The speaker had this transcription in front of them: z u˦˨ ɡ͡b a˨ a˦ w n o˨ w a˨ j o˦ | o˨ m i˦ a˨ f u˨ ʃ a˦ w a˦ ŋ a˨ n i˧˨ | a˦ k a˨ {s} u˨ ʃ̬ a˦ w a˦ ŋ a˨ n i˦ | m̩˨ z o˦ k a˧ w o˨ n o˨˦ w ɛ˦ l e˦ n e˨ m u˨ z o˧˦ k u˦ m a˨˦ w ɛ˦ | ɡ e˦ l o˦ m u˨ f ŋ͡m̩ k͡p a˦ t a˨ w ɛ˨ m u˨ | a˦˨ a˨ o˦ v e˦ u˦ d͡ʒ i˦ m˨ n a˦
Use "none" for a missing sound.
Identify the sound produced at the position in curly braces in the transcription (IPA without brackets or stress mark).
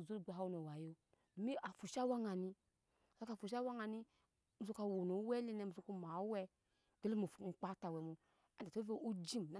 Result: f